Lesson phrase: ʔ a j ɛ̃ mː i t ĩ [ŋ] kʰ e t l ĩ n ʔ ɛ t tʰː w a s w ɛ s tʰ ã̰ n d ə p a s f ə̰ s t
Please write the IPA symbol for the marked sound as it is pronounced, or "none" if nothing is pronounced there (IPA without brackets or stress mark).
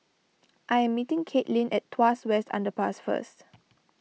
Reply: ŋ